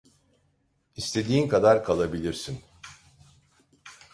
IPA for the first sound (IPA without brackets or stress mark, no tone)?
i